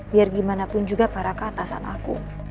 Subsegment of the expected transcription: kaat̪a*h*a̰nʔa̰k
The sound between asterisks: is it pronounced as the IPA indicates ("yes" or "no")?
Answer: no